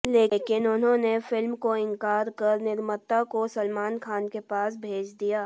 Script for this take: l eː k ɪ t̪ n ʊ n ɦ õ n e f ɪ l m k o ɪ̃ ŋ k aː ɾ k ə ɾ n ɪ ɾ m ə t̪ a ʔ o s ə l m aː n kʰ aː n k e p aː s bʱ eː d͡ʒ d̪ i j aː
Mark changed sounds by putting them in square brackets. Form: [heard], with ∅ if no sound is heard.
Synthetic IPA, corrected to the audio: l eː k ɪ [∅] n ʊ n ɦ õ n e f ɪ l m k o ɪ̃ ŋ k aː ɾ k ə ɾ n ɪ ɾ m ə t̪ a [k] o s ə l m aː n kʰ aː n k e p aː s bʱ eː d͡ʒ d̪ i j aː